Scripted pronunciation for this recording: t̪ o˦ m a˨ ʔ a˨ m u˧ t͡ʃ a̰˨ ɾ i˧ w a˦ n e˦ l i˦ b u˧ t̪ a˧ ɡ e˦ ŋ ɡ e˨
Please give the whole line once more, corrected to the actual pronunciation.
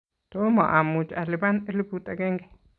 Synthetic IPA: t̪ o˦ m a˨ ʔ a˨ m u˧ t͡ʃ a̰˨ l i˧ b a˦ n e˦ l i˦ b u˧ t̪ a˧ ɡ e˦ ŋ ɡ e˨